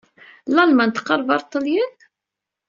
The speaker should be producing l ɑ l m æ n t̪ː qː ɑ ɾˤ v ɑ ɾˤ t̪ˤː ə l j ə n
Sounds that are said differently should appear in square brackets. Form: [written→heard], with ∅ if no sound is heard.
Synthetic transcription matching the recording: l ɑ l m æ n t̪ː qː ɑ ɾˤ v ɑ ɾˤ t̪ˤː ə l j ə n